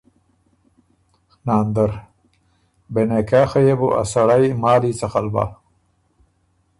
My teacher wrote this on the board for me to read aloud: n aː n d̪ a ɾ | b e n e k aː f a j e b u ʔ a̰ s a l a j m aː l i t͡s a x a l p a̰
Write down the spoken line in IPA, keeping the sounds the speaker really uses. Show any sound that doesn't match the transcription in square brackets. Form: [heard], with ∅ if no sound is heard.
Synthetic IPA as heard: n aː n d̪ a ɾ | b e n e k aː [x] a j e b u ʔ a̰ s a [ɽ] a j m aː l i t͡s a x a l [b] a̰